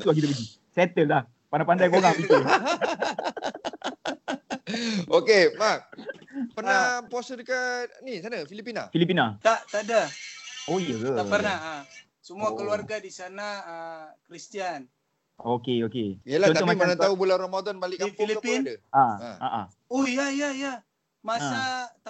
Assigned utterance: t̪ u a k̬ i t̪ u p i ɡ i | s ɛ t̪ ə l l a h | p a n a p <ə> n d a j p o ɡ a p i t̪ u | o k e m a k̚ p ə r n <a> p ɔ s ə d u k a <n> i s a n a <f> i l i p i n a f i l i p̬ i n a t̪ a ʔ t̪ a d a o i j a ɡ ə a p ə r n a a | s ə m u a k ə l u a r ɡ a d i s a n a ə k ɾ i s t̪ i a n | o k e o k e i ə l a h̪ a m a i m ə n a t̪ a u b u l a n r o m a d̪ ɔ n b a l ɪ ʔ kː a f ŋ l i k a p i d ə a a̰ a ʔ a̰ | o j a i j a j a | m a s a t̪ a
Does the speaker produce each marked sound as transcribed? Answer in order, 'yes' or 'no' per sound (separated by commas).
no, yes, yes, yes